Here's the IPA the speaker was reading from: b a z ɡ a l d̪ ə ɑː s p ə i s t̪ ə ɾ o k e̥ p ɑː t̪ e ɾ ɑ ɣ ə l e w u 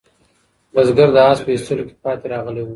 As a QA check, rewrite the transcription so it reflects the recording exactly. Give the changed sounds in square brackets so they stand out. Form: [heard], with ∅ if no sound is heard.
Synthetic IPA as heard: b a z ɡ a [ɾ] d̪ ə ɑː s p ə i s t̪ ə [l] o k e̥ p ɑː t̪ e ɾ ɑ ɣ ə l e w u